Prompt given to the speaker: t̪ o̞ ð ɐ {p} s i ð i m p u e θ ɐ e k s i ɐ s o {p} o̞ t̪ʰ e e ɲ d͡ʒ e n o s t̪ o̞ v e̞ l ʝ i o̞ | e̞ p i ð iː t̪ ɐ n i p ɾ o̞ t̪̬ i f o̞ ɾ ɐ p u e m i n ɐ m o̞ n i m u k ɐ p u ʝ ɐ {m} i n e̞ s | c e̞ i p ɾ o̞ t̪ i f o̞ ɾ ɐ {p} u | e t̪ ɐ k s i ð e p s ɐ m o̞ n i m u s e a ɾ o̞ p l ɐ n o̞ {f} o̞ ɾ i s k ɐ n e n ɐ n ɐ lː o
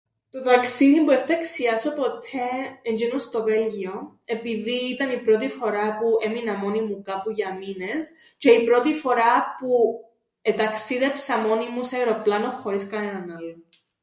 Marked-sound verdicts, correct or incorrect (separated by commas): incorrect, correct, correct, correct, incorrect